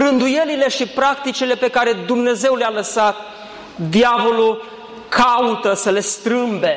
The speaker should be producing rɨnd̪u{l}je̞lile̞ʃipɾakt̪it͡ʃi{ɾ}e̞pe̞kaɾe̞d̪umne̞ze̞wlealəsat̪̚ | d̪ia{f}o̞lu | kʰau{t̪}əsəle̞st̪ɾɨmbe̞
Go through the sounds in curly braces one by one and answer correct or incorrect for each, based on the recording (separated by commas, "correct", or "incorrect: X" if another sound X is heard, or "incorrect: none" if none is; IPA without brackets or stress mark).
incorrect: none, incorrect: l, incorrect: v, correct